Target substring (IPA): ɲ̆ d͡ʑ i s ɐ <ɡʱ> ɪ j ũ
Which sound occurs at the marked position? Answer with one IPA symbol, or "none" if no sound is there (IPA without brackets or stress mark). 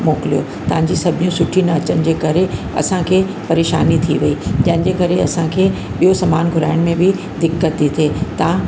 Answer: bʱ